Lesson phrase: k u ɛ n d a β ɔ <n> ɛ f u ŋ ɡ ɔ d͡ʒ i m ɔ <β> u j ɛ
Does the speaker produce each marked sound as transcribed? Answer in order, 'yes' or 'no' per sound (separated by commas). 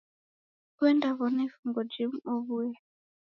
yes, yes